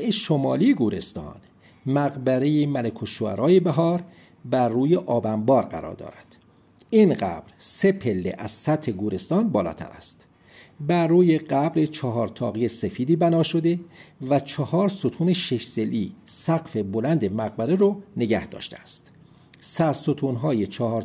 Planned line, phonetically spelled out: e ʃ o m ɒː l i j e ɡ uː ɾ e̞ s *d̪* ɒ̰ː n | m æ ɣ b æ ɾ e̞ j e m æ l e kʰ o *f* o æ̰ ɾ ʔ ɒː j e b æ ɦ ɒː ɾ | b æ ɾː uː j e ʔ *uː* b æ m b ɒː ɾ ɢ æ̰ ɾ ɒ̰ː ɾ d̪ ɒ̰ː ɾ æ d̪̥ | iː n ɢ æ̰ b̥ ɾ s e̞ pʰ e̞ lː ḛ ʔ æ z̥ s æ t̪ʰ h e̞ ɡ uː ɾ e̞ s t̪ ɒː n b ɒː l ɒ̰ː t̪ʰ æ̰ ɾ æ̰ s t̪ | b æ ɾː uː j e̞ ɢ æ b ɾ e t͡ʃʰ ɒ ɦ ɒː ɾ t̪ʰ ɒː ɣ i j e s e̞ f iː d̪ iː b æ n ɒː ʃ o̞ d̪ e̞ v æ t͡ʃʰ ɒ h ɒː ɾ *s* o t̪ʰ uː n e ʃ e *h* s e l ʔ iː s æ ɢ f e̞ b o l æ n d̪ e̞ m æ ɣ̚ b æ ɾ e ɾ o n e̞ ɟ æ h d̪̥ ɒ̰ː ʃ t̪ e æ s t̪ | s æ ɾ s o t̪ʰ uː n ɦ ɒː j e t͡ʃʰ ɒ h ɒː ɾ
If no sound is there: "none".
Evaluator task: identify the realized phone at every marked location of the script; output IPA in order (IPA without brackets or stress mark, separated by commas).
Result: t̪, ʃ, ɒː, s, ʃ